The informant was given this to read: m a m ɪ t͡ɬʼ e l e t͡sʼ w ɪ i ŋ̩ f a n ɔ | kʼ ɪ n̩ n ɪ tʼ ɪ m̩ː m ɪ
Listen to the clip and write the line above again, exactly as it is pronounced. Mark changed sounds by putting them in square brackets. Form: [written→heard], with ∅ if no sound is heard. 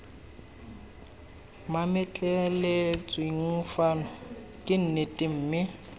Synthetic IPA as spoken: m a m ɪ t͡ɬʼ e l e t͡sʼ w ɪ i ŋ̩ f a n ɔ | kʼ ɪ n̩ n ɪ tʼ ɪ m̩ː m ɪ